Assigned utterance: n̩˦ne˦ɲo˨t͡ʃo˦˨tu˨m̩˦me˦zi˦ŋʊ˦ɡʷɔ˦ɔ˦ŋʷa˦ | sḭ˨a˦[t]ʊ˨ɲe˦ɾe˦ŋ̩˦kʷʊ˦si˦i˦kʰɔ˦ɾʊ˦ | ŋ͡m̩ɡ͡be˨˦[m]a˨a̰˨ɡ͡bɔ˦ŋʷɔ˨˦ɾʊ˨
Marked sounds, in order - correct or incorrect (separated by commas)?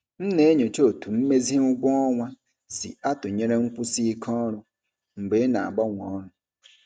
correct, incorrect